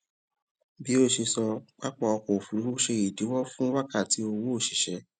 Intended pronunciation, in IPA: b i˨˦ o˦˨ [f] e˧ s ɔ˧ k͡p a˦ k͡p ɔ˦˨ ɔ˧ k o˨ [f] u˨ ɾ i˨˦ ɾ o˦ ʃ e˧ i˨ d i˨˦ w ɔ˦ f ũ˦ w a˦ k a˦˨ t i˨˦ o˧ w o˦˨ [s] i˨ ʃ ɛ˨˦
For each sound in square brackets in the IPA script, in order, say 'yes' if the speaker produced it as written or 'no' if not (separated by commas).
no, yes, no